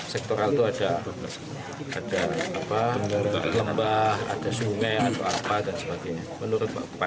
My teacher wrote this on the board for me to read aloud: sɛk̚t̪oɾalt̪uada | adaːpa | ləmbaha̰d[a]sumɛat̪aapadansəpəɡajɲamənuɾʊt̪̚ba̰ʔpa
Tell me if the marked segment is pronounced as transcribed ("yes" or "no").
yes